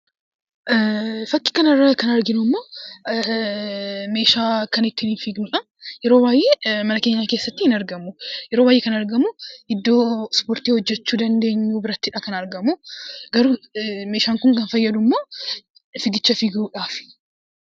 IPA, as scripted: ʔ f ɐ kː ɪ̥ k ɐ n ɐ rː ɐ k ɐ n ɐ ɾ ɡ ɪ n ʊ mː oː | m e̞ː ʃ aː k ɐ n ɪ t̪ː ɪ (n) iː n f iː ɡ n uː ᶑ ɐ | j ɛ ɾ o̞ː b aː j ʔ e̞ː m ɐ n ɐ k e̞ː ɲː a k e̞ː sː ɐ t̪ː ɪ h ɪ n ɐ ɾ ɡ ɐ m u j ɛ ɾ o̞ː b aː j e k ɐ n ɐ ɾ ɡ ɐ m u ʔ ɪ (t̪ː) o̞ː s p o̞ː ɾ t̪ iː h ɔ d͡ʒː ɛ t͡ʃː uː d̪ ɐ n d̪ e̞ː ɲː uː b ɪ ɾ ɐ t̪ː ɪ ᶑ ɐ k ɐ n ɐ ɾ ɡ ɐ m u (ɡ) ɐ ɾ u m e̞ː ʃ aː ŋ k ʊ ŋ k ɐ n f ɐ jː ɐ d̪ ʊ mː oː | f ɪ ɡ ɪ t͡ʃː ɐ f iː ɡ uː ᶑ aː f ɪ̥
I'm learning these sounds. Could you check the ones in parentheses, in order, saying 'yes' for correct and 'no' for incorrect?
yes, no, yes

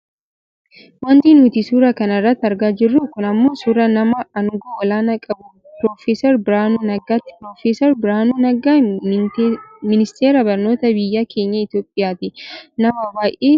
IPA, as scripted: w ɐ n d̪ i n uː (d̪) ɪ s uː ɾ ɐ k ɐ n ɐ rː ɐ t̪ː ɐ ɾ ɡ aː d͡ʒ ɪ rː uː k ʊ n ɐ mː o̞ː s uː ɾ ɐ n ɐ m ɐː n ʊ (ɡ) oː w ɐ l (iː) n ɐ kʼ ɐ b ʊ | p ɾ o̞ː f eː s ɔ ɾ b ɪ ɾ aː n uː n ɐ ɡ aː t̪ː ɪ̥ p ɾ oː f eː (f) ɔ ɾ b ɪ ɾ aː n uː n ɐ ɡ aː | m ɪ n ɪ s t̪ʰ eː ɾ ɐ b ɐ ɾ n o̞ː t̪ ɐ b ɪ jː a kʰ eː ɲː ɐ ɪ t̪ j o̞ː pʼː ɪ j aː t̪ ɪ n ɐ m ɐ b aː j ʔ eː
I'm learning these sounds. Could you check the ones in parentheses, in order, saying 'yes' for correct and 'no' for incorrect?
no, yes, no, no

